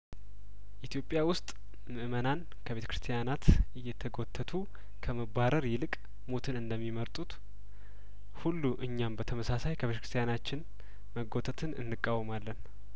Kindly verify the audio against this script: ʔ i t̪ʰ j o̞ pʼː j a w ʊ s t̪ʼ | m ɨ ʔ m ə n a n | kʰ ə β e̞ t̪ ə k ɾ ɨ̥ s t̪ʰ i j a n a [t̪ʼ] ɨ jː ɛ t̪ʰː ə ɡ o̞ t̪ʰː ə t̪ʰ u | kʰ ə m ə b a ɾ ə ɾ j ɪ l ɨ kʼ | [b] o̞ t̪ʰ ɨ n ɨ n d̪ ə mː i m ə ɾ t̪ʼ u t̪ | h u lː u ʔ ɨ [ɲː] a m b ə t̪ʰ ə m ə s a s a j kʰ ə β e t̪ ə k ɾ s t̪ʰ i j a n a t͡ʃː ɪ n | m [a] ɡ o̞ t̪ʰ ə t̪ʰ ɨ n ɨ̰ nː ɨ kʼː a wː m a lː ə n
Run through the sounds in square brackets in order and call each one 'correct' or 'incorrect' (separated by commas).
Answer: incorrect, incorrect, correct, incorrect